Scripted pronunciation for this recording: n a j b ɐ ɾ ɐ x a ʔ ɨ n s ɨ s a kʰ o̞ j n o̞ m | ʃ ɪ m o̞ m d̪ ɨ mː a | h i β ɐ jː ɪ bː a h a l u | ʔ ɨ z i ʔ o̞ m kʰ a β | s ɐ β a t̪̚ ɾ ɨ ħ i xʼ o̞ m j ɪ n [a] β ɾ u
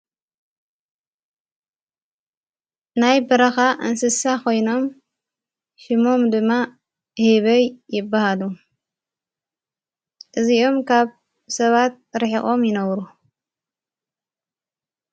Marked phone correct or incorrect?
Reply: incorrect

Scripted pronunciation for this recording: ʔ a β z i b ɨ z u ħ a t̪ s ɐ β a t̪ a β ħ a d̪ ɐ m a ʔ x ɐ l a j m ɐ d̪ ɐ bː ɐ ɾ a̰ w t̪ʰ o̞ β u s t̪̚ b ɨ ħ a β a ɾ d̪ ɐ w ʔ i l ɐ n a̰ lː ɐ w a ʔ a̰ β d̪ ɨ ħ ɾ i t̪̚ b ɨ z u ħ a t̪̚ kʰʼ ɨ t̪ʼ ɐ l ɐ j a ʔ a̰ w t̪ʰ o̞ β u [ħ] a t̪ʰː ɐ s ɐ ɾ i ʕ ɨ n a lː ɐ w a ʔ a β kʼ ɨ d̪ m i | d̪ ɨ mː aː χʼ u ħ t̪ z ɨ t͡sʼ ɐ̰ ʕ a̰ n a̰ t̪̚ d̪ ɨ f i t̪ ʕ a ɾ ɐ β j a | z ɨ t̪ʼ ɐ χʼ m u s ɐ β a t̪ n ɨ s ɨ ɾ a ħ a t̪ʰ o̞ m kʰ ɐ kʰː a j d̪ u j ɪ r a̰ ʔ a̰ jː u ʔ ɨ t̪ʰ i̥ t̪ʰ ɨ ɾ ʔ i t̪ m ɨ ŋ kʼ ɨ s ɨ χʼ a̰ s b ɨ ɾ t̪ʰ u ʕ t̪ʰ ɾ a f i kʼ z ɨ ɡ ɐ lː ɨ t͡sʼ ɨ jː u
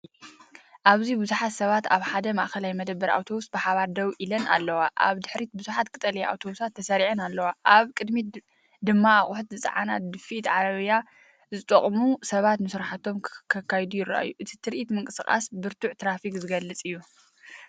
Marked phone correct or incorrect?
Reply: incorrect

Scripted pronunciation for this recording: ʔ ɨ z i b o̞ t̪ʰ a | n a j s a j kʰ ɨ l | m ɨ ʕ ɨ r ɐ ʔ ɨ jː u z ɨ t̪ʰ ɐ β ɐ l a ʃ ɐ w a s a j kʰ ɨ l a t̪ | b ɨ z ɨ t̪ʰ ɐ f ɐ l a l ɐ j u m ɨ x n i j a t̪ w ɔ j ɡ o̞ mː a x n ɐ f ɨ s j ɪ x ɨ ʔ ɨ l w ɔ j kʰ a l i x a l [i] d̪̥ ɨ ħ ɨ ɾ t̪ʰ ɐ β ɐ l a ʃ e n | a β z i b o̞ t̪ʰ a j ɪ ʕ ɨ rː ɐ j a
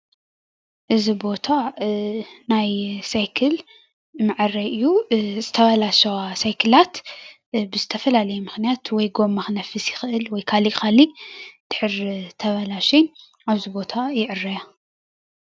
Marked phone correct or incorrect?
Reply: correct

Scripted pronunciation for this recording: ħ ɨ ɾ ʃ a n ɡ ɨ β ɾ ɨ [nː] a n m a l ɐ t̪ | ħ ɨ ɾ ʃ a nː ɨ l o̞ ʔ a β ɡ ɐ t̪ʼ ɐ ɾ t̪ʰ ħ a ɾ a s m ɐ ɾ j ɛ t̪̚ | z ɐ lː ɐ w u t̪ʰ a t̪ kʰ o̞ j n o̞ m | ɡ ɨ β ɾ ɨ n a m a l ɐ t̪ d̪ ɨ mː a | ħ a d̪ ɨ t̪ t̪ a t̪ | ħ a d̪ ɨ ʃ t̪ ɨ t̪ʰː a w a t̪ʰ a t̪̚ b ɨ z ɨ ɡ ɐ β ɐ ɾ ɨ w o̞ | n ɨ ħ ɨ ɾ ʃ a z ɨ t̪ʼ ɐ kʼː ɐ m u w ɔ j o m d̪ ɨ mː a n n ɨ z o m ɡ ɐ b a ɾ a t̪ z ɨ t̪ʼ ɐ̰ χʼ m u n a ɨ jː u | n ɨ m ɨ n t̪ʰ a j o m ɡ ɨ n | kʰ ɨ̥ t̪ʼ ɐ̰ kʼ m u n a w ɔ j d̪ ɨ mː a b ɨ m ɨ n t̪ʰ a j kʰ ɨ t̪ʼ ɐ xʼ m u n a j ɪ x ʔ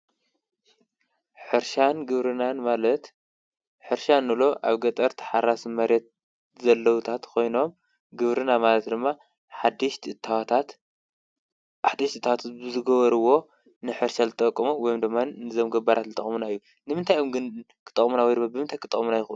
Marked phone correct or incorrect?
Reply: incorrect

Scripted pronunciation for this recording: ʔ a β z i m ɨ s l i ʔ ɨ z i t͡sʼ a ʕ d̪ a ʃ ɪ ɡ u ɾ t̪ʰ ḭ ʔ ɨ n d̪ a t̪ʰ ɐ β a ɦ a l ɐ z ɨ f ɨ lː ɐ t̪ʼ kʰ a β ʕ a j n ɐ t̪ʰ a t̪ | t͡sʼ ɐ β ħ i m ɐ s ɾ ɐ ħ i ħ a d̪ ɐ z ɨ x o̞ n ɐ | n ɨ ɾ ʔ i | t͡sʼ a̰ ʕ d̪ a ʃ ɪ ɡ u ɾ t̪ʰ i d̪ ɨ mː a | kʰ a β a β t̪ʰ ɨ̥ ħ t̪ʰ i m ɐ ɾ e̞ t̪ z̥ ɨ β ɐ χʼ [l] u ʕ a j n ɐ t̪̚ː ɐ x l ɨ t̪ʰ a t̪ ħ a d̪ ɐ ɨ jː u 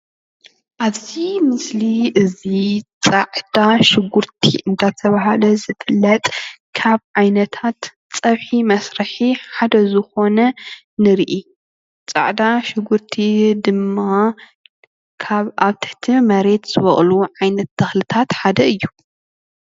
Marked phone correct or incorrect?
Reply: correct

